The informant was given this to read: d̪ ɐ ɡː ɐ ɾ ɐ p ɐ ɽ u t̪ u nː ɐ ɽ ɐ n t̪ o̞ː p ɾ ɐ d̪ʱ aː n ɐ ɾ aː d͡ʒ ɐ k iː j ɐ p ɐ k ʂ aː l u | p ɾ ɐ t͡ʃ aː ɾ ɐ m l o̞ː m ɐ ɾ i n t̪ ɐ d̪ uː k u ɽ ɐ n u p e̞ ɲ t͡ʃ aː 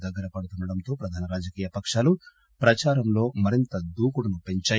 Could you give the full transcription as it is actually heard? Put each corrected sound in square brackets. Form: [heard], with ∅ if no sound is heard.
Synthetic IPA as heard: d̪ ɐ ɡː ɐ ɾ ɐ p ɐ ɽ u t̪ u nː ɐ ɽ ɐ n t̪ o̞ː p ɾ ɐ d̪ʱ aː n ɐ ɾ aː d͡ʒ ɐ k iː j ɐ p ɐ k ʂ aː l u | p ɾ ɐ t͡ʃ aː ɾ ɐ m l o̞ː m ɐ ɾ i n t̪ ɐ d̪ uː k u ɽ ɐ n u p e̞ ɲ t͡ʃ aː